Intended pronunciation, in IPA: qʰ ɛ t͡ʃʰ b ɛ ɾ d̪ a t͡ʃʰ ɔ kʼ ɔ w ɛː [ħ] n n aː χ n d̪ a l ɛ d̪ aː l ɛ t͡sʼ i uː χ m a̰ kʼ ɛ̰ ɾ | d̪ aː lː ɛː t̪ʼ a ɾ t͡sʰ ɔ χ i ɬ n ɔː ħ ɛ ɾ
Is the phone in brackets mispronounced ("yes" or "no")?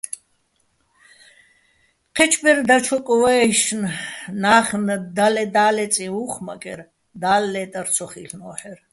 yes